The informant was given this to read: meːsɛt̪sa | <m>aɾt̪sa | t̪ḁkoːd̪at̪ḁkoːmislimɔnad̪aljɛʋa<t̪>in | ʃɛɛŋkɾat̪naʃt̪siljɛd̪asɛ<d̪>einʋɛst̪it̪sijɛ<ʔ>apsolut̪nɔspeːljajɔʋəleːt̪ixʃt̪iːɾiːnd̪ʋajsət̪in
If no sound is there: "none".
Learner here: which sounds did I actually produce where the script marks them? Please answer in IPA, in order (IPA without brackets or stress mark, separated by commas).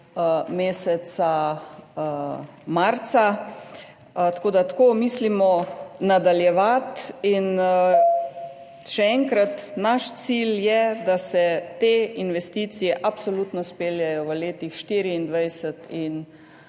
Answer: m, t̪, t̪, ʔ